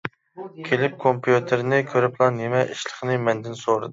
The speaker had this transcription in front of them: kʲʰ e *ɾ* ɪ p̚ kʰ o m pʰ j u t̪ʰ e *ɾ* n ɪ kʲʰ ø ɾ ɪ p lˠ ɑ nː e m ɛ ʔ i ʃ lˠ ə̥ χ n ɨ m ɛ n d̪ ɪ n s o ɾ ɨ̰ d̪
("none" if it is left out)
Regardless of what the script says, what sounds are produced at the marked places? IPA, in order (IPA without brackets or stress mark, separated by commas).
l, ɾ